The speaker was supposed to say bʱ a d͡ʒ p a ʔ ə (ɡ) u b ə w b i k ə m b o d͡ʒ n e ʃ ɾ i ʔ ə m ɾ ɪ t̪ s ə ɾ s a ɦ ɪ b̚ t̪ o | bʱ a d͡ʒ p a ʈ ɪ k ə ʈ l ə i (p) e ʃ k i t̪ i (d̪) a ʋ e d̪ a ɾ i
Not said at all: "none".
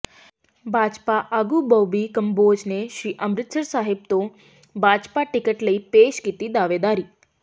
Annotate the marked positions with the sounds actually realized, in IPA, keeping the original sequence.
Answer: ɡ, p, d̪

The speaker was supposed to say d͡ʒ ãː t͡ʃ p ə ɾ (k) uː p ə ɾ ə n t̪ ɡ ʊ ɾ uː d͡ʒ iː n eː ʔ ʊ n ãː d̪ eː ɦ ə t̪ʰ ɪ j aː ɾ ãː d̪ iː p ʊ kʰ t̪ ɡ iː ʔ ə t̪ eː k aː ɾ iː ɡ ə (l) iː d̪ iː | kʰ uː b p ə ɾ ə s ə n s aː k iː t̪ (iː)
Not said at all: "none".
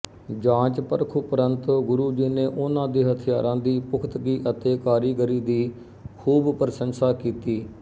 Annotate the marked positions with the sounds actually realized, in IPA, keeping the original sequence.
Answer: kʰ, ɾ, iː

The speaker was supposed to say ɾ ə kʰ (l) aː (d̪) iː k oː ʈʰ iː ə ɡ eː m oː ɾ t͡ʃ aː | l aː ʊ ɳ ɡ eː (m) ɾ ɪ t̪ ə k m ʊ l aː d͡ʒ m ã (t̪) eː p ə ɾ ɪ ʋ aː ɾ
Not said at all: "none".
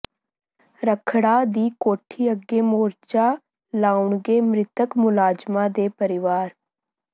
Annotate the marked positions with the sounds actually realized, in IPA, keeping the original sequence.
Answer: ɽ, d̪, m, d̪

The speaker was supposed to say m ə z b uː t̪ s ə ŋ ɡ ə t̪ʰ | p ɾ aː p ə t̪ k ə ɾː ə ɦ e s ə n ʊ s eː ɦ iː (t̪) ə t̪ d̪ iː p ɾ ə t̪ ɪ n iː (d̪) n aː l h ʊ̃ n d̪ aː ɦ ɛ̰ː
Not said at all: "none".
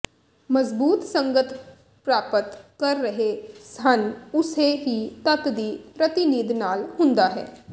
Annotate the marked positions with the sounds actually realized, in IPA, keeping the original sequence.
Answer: t̪, d̪

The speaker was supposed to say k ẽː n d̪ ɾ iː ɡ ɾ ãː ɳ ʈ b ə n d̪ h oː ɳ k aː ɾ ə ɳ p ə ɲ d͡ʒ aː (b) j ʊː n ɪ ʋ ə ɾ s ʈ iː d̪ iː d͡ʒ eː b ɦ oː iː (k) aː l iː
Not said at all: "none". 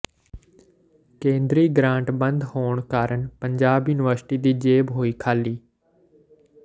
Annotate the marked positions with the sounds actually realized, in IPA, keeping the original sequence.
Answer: b, kʰ

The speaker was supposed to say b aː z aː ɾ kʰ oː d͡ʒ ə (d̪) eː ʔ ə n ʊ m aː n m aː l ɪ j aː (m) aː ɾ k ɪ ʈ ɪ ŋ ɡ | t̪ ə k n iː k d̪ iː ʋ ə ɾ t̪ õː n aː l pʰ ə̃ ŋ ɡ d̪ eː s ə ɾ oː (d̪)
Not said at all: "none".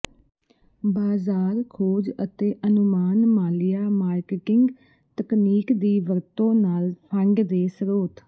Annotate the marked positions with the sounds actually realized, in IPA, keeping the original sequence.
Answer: t̪, m, t̪

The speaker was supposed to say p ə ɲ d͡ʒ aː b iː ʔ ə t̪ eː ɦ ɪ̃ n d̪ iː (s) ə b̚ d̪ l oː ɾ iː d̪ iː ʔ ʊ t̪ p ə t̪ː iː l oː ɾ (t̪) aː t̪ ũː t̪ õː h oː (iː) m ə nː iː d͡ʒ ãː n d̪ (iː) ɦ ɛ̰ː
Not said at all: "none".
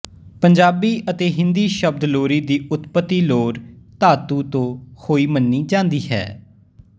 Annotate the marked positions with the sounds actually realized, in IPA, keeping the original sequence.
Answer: ʃ, t̪, iː, iː

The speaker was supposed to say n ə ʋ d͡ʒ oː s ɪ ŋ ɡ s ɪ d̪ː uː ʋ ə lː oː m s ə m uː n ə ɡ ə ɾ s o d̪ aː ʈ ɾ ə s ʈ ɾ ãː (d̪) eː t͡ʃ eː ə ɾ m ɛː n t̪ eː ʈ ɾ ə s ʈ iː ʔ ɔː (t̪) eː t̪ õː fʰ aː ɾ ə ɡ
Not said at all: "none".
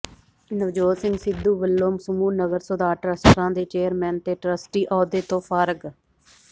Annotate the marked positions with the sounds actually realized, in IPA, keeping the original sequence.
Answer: d̪, d̪

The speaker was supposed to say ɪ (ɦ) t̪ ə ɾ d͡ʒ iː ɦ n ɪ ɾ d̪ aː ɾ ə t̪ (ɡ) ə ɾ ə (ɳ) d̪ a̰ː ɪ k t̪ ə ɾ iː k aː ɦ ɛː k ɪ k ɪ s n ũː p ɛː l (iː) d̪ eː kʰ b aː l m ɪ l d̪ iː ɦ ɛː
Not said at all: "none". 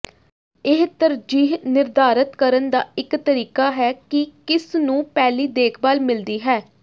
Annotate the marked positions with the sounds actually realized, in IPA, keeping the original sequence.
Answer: ɦ, k, n, iː

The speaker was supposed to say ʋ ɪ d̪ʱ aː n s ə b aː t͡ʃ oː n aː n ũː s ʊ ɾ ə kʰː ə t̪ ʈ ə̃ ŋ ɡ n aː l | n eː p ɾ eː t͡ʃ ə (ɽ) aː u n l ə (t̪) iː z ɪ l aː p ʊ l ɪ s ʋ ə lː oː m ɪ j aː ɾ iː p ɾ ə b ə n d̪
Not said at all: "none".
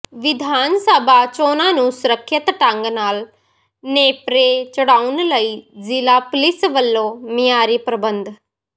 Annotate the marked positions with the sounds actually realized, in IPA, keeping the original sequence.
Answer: ɽ, none

